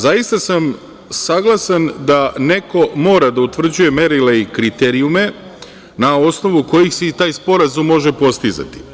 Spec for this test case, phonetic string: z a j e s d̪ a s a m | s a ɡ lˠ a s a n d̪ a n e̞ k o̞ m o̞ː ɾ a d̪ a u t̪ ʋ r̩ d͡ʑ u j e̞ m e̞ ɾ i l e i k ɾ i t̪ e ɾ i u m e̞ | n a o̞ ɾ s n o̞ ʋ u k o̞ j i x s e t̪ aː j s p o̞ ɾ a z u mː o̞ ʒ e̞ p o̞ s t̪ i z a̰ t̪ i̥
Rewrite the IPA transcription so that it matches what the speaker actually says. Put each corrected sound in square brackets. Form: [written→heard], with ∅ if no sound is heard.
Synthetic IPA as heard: z a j [e→i] s [d̪→t̪] a s a m | s a ɡ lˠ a s a n d̪ a n e̞ k o̞ m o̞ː ɾ a d̪ a u t̪ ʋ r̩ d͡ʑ u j e̞ m e̞ ɾ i l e i k ɾ i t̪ e ɾ i u m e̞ | n a o̞ [ɾ→∅] s n o̞ ʋ u k o̞ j i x s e t̪ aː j s p o̞ ɾ a z u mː o̞ ʒ e̞ p o̞ s t̪ i z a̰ t̪ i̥